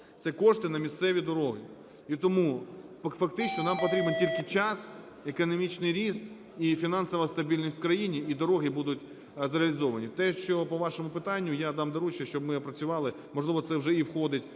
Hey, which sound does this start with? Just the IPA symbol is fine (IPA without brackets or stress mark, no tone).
t̪